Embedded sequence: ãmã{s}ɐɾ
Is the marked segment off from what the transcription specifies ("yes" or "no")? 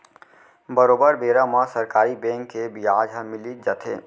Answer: no